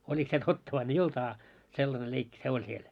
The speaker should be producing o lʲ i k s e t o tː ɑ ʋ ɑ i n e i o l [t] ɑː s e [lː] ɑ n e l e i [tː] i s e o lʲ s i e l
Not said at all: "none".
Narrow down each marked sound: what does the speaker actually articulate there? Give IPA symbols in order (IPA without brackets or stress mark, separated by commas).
t, lː, kː